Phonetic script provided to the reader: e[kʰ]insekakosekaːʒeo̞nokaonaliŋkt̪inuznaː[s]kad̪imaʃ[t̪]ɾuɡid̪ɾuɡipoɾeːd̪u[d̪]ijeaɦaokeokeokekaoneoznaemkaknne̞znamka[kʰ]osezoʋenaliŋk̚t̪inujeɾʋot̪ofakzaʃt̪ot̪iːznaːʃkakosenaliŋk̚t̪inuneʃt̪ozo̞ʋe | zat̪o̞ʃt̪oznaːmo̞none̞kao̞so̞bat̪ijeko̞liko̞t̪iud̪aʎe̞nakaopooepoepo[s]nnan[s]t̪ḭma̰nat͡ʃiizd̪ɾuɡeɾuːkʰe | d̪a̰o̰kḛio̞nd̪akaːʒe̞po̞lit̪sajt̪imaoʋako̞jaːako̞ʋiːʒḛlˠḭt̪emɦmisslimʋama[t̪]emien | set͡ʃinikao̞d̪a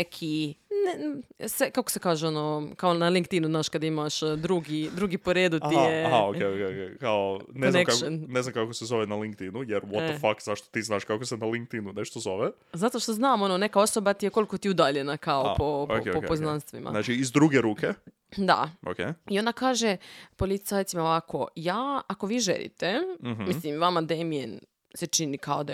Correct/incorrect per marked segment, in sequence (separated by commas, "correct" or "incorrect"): correct, incorrect, incorrect, incorrect, incorrect, incorrect, correct, incorrect